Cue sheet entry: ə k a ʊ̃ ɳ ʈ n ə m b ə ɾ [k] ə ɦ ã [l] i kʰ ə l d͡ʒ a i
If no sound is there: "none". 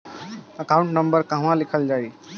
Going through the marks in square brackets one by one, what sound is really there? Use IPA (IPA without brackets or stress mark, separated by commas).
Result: k, l